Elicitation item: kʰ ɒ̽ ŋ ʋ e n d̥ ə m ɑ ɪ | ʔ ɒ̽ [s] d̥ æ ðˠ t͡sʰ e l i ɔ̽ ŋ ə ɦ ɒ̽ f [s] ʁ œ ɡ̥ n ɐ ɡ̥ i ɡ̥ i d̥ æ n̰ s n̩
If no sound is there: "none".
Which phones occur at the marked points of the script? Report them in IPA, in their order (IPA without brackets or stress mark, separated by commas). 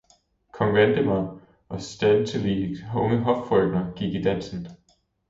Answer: s, f